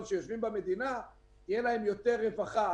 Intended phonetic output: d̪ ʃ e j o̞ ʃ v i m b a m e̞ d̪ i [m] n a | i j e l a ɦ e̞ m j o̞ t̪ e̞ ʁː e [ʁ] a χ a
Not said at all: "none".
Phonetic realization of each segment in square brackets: none, v

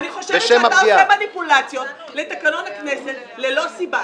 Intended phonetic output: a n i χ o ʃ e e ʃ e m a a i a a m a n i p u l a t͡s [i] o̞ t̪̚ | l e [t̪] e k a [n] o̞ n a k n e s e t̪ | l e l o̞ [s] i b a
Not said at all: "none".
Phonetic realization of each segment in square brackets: j, t̪, n, s

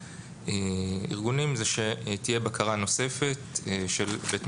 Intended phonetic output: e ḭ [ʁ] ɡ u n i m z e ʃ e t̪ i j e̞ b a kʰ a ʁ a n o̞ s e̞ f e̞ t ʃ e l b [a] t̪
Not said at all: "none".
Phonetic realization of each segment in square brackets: ʁ, e

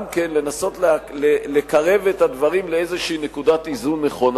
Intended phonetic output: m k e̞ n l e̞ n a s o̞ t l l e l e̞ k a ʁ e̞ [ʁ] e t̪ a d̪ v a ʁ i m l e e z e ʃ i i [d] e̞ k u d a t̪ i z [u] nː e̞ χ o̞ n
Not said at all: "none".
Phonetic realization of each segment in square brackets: v, n, u

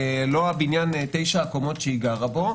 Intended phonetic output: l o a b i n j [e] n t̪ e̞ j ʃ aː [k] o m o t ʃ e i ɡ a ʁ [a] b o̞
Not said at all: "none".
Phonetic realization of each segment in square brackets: a, k, a

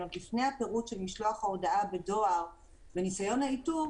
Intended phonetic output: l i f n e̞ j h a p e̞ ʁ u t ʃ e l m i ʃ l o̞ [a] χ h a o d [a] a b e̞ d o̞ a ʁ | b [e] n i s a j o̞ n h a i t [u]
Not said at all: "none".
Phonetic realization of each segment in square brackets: a, a, e, u

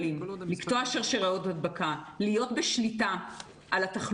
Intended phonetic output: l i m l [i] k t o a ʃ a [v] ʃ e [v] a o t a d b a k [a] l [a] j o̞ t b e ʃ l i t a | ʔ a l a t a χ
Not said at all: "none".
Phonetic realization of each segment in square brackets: i, ʁ, ʁ, a, i

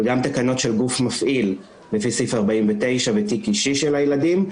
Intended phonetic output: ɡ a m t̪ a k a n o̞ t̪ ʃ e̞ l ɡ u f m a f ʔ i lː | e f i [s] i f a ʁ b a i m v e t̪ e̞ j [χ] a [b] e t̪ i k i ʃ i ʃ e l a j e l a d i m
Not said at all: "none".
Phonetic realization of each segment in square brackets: s, ʃ, v

